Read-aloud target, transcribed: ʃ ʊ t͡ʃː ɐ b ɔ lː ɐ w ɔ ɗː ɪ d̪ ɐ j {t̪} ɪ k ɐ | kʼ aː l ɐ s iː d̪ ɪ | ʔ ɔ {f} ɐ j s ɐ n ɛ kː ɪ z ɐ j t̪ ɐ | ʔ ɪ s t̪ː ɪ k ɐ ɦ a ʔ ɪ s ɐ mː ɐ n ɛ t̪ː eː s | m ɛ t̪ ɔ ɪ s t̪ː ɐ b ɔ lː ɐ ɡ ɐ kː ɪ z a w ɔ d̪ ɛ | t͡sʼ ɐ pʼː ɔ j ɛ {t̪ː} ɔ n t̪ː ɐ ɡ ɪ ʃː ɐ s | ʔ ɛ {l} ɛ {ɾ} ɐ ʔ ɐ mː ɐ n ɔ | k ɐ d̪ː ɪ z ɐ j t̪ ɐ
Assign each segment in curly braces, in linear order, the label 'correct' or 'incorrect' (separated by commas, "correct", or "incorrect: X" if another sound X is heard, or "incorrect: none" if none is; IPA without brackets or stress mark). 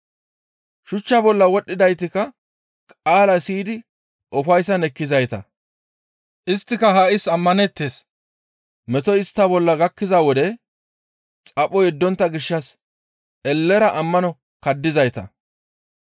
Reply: correct, correct, incorrect: d̪ː, incorrect: lː, correct